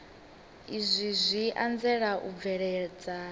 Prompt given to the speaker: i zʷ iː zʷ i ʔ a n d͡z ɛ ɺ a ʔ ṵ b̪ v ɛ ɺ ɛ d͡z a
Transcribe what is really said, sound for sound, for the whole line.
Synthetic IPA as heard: i zʷ i zʷ i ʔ a n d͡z ɛ ɺ a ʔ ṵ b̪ v ɛ ɺ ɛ d͡z a